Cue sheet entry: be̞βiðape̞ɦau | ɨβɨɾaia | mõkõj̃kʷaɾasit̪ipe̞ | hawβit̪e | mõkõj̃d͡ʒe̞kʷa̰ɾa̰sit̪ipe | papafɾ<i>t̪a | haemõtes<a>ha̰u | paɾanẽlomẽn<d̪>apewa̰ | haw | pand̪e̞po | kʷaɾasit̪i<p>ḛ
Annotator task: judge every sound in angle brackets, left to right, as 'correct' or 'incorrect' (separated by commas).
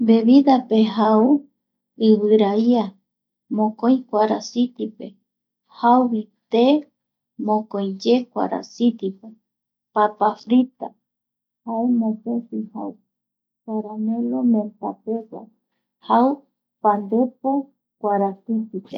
correct, incorrect, incorrect, correct